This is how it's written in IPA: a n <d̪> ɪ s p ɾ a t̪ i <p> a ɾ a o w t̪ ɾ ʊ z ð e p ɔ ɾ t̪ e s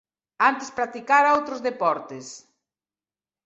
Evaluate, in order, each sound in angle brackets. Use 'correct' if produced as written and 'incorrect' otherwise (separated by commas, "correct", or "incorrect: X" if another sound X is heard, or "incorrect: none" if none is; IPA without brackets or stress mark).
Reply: incorrect: t̪, incorrect: k